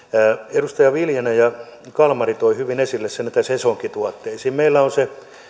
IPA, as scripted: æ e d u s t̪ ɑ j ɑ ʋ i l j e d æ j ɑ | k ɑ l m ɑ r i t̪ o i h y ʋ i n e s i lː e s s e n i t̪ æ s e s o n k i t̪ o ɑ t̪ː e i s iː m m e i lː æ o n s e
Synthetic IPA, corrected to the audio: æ e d u s t̪ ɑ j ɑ ʋ i l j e n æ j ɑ | k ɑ l m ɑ r i t̪ o i h y ʋ i n e s i lː e s s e n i t̪ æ s e s o ŋ k i t̪ u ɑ t̪ː e i s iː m m e i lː æ o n s e